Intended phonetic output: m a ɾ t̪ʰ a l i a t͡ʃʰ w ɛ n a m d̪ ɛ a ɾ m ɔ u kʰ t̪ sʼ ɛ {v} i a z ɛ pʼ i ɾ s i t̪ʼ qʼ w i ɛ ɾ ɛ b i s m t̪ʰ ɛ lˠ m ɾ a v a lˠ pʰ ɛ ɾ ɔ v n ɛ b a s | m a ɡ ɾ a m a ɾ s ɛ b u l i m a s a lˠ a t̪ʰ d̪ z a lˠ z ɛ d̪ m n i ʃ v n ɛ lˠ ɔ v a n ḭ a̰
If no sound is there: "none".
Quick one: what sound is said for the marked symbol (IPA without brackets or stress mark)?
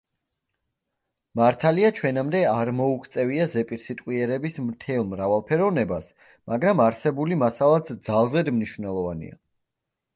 v